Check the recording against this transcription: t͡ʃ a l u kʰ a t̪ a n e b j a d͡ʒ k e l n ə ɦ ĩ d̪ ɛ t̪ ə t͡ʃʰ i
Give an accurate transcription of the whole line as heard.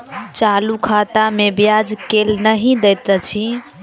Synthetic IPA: t͡ʃ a l u kʰ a t̪ a m e b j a d͡ʒ k e l n ə ɦ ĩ d̪ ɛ t̪ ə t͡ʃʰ i